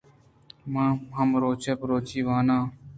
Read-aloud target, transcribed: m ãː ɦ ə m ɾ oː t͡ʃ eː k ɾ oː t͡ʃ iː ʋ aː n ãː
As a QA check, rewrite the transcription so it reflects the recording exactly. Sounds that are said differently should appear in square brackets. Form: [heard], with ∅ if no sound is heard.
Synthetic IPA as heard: m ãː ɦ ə m ɾ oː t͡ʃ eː [p] ɾ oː t͡ʃ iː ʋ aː n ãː